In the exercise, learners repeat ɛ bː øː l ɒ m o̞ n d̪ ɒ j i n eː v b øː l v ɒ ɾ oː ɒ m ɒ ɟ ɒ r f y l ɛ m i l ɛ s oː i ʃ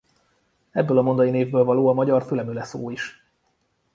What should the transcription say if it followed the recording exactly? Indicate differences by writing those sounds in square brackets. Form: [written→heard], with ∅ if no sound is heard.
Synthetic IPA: ɛ bː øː l ɒ m o̞ n d̪ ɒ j i n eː v b øː l v ɒ [ɾ→l] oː ɒ m ɒ ɟ ɒ r f y l ɛ m [i→y] l ɛ s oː i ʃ